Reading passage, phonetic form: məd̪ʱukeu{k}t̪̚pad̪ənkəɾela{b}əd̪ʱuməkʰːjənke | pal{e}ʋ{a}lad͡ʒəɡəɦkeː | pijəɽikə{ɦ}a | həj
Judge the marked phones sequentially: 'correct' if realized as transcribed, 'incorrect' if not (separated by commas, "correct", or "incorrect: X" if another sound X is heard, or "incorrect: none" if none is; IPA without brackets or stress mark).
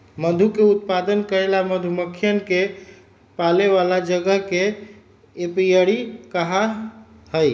incorrect: none, incorrect: m, correct, correct, correct